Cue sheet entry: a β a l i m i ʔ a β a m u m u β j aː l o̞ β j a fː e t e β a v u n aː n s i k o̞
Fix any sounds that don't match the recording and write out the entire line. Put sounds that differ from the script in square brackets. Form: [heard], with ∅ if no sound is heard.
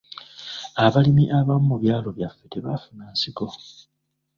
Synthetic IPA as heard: a β a l i m i ʔ a β a m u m u β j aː l o̞ β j a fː e t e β a [f] u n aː n s i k o̞